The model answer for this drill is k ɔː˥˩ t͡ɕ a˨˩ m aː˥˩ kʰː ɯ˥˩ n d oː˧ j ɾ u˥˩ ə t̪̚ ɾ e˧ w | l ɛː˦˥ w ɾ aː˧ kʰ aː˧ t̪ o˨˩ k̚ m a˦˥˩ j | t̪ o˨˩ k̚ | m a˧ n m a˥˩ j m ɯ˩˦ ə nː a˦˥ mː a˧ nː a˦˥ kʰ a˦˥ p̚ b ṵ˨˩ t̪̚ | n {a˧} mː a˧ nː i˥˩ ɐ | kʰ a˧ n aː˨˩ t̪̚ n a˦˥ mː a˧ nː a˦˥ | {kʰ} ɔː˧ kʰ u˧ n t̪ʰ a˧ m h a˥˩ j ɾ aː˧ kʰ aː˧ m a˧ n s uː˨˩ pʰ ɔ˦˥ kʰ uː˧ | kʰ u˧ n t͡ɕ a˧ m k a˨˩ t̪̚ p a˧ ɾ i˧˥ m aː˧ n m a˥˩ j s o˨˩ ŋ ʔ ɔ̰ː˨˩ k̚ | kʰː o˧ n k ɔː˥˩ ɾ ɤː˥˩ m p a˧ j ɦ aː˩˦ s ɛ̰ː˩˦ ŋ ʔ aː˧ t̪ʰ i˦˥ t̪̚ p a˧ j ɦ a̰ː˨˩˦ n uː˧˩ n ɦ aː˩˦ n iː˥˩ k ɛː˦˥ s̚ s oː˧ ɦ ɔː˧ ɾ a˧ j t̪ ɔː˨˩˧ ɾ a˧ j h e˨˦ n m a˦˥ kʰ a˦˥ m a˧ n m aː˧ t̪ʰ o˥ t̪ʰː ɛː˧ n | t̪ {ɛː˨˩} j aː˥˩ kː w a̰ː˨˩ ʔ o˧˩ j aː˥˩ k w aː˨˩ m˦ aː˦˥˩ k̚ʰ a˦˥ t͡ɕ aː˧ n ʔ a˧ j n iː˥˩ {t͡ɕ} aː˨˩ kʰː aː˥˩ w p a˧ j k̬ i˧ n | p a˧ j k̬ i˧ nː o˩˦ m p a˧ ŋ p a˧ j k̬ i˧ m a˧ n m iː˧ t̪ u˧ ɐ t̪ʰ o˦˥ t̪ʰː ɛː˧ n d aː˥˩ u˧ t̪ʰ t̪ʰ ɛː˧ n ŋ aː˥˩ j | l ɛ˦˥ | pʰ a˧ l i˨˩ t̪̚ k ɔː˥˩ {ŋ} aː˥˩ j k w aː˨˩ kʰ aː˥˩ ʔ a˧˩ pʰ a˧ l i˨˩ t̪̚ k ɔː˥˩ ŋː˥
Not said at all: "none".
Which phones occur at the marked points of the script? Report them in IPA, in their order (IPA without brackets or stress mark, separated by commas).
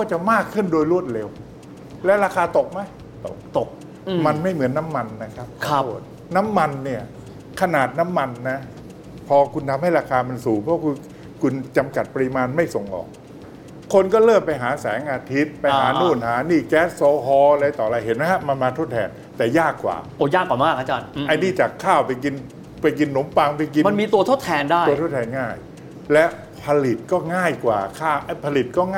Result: a˦˥, pʰ, ɛː˨˩, t͡ɕ, ŋ